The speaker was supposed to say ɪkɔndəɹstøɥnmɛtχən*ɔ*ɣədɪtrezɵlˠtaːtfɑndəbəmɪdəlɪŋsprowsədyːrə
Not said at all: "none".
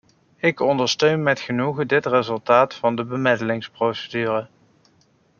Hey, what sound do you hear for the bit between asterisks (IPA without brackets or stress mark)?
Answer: u